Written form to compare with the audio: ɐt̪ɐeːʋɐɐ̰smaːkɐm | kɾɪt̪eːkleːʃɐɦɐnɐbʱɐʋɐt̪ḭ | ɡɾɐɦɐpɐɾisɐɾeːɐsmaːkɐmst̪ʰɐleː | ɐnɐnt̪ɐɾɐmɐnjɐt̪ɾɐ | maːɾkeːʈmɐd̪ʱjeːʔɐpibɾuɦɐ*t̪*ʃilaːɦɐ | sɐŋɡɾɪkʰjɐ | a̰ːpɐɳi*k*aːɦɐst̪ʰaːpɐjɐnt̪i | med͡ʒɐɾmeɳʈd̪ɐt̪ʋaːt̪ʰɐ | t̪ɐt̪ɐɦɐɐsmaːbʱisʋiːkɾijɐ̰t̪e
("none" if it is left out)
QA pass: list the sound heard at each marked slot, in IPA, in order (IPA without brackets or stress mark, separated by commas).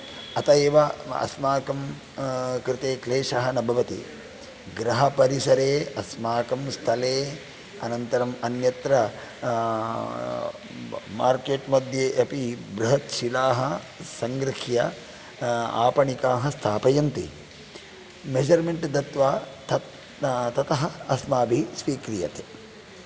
t̪, k